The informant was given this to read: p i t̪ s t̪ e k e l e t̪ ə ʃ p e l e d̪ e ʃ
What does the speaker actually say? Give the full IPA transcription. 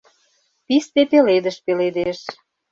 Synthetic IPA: p i s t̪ e p e l e d̪ ə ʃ p e l e d̪ e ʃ